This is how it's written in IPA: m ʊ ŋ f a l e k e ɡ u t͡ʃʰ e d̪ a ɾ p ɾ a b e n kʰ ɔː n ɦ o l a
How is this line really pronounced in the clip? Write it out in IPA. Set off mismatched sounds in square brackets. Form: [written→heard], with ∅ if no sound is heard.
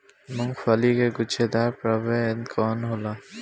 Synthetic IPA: m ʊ ŋ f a l [e→i] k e ɡ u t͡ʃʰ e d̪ a ɾ p ɾ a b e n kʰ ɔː n ɦ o l a